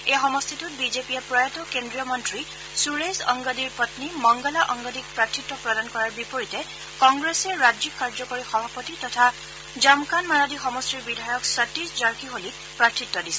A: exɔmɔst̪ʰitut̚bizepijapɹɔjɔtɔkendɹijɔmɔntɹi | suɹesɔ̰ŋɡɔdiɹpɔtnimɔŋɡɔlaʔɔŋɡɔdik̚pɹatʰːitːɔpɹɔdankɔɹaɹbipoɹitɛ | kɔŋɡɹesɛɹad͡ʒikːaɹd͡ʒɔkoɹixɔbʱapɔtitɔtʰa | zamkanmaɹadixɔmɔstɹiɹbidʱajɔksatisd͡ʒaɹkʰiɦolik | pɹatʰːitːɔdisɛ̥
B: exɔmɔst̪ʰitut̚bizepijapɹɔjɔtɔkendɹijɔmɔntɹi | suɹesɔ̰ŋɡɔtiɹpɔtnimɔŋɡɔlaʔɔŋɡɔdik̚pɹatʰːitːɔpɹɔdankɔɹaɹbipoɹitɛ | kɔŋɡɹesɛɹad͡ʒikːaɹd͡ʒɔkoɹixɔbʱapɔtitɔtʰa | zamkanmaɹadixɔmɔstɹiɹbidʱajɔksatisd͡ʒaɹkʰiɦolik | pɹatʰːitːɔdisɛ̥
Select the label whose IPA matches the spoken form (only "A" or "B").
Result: A